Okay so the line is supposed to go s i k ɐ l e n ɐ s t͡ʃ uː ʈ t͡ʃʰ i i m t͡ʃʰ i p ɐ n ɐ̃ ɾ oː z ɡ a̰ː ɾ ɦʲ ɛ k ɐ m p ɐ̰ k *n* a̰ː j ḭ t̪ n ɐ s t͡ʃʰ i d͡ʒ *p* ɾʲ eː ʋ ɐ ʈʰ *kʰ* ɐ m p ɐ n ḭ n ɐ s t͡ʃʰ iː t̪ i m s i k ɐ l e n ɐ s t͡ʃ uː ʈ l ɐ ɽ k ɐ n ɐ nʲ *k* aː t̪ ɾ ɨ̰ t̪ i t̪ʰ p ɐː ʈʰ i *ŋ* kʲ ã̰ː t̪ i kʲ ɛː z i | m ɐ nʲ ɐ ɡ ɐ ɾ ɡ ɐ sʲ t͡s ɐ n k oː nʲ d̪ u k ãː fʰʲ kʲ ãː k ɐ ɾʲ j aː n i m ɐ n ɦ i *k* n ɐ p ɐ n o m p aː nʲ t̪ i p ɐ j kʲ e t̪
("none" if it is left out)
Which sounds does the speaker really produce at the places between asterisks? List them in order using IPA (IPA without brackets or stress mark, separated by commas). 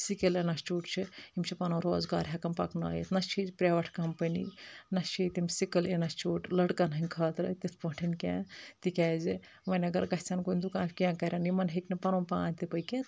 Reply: n, p, k, kʰ, n, k